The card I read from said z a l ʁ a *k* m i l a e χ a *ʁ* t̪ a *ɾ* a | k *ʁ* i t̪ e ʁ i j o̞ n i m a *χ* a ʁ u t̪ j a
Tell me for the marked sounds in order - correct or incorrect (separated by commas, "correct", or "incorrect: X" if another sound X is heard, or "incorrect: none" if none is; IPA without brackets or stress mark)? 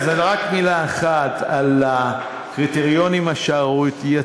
correct, incorrect: none, incorrect: l, correct, incorrect: ʃ